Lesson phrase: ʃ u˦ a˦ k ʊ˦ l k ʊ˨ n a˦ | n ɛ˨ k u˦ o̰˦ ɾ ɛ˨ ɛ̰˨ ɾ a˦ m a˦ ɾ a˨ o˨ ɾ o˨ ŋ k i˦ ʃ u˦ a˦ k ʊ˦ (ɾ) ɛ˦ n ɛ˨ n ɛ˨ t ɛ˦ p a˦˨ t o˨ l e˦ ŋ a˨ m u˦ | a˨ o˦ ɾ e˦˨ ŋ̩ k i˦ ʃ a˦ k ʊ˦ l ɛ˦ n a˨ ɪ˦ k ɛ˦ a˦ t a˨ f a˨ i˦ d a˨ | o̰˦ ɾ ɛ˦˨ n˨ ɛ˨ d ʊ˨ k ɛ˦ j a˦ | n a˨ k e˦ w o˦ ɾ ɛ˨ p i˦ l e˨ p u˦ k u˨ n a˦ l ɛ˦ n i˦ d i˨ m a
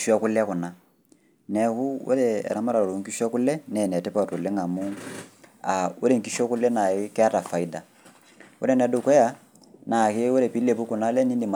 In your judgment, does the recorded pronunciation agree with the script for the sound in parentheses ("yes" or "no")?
no